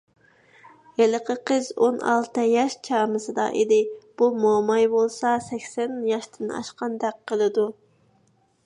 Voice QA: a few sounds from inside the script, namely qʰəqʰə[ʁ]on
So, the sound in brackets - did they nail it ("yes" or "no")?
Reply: no